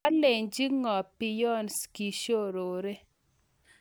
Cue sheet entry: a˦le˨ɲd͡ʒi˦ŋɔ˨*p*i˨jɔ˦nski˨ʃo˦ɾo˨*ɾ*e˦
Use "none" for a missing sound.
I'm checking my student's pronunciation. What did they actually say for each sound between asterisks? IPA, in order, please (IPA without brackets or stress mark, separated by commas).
p, ɾ